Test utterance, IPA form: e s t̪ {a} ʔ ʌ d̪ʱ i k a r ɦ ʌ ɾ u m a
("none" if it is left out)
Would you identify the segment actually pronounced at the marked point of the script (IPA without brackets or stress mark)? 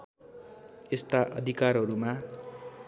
a